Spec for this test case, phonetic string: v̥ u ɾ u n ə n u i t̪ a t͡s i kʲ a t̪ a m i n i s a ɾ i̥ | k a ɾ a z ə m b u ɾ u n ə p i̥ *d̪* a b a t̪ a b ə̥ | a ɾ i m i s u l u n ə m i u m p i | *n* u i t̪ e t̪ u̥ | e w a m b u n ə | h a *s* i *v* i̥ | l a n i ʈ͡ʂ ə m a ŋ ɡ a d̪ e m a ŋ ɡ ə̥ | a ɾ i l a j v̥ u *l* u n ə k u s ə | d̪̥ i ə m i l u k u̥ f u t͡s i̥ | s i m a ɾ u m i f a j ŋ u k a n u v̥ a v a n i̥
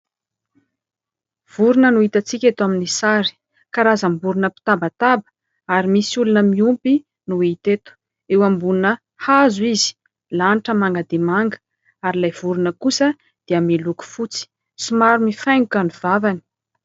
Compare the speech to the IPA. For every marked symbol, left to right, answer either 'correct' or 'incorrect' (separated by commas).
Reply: incorrect, correct, incorrect, incorrect, incorrect